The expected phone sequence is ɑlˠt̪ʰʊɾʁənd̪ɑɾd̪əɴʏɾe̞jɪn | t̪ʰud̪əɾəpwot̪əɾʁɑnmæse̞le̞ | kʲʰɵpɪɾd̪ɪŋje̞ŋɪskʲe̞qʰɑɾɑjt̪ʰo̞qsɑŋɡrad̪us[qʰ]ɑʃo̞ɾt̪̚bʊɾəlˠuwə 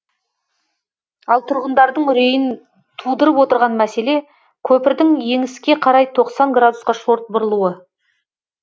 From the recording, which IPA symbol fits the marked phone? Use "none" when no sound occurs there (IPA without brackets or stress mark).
q